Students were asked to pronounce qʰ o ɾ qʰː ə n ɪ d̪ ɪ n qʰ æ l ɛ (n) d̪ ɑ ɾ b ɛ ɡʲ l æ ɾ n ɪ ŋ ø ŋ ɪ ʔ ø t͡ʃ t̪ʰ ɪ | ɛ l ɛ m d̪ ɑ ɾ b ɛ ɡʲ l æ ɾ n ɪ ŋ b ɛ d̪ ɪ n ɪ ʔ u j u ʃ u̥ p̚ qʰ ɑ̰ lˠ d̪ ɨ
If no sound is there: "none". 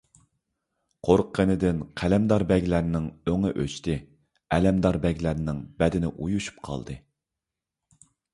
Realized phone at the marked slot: m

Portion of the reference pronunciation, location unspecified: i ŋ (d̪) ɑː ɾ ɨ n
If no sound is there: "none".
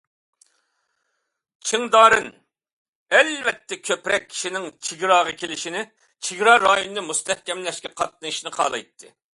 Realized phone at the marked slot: d̪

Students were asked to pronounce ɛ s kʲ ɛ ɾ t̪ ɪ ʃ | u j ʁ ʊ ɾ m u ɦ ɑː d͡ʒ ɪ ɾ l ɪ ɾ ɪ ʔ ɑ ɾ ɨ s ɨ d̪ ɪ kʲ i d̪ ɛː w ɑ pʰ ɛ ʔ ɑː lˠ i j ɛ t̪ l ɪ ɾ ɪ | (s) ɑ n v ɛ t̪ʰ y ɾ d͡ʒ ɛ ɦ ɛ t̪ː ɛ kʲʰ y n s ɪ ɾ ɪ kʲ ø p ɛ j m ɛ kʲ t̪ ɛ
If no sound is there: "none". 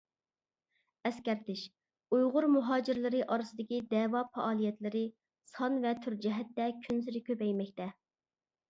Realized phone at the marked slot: s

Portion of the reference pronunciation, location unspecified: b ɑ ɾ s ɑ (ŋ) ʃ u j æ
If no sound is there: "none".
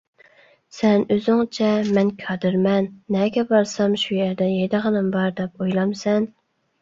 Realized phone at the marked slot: m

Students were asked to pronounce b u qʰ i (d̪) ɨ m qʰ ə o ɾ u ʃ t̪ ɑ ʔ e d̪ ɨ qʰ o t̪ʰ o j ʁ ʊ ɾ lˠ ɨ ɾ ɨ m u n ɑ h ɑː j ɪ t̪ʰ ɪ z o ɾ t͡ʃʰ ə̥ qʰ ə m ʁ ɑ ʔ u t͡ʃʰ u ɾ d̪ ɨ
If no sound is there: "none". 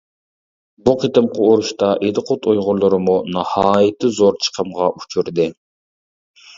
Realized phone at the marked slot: t̪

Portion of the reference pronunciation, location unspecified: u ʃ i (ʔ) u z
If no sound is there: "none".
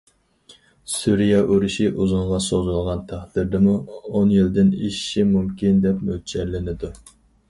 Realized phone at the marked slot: ʔ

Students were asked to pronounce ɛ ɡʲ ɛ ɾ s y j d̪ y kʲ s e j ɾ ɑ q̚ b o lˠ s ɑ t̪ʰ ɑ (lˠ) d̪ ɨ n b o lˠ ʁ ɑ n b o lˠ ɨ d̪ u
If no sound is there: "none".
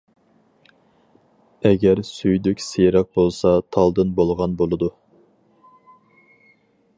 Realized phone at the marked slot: lˠ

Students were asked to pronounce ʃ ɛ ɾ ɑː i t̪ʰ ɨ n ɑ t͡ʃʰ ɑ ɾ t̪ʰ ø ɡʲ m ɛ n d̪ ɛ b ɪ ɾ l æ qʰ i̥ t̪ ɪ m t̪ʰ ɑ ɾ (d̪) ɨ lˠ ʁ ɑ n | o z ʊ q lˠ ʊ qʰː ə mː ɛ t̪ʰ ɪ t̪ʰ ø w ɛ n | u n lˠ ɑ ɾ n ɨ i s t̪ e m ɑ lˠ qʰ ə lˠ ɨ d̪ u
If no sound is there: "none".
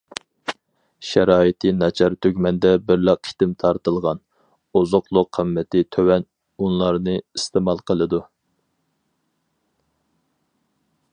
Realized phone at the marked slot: t̪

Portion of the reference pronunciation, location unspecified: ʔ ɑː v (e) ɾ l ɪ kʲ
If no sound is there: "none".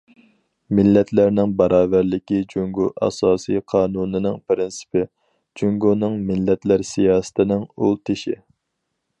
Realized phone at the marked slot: æ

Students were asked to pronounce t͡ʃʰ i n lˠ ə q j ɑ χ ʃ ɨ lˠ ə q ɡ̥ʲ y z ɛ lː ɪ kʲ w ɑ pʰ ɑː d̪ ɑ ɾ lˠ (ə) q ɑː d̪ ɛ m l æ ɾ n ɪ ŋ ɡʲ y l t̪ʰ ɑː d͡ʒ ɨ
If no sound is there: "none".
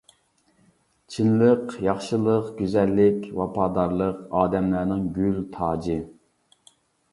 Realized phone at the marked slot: ə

